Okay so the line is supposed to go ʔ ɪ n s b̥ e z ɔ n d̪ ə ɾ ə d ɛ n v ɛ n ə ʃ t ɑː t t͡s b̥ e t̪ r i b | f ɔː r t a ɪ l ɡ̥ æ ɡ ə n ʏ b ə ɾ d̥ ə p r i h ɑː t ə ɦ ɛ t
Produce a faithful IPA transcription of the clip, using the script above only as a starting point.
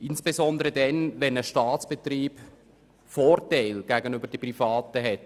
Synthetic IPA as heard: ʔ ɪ n s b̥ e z ɔ n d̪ ə ɾ ə d ɛ n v ɛ n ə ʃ t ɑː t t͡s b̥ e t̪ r iː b | f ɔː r t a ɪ l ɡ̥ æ ɡ ə n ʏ b ə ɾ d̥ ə p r i f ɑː t ə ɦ ɛ t